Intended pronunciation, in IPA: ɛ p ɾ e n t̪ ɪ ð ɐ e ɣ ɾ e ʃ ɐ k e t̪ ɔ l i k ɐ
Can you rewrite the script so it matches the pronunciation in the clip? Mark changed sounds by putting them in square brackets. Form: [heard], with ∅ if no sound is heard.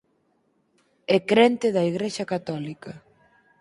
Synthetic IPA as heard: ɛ [k] ɾ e n t̪ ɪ ð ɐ [i] ɣ ɾ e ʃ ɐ k [a] t̪ ɔ l i k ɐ